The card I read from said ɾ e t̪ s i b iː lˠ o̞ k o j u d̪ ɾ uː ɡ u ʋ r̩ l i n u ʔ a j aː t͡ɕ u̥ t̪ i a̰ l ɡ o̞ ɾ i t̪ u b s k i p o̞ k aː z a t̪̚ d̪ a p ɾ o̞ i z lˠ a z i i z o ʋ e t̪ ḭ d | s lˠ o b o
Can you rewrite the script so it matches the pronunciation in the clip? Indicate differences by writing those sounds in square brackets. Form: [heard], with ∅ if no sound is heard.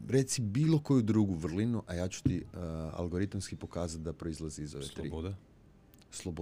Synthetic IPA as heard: ɾ e t̪ s i b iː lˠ o̞ k o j u d̪ ɾ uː ɡ u ʋ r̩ l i n u ʔ a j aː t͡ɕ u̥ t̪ i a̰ l ɡ o̞ ɾ i t̪ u [m] s k i p o̞ k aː z a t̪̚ d̪ a p ɾ o̞ i z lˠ a z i i z o ʋ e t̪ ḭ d | s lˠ o b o